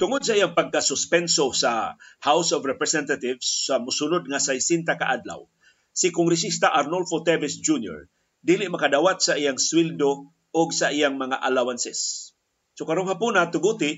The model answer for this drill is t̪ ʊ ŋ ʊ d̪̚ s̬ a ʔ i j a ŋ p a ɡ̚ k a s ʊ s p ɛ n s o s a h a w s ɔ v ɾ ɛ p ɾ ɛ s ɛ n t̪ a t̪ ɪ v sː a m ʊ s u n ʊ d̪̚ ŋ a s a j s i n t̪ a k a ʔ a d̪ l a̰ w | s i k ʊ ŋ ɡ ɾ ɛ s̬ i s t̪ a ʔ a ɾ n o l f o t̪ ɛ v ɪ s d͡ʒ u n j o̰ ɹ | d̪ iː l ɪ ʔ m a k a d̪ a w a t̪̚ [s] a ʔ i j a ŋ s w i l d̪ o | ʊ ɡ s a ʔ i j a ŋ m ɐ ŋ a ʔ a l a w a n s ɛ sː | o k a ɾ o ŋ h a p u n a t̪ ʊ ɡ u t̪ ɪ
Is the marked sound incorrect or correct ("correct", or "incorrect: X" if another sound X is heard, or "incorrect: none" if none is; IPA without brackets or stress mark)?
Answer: correct